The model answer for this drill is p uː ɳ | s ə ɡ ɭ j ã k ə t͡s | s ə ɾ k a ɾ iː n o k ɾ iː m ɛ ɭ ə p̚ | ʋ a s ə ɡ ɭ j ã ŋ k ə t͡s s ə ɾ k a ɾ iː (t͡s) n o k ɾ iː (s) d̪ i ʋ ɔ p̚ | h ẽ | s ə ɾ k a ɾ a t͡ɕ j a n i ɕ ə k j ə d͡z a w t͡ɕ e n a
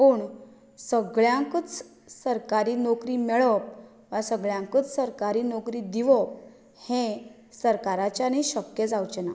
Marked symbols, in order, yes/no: no, no

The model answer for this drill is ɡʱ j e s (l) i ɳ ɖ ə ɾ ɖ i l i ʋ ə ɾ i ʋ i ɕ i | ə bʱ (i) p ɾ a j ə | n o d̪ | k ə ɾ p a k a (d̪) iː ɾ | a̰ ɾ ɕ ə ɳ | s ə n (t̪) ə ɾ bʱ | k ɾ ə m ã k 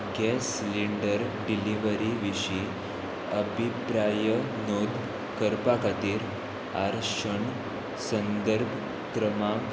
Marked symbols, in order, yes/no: yes, yes, no, no

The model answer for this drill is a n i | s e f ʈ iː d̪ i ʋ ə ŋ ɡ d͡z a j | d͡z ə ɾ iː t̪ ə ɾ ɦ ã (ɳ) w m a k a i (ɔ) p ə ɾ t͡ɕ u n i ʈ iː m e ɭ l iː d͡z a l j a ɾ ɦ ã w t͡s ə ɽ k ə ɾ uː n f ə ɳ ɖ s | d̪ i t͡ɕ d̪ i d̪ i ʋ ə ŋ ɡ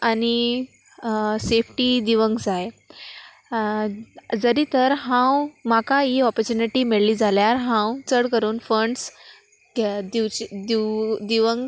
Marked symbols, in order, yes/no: no, yes

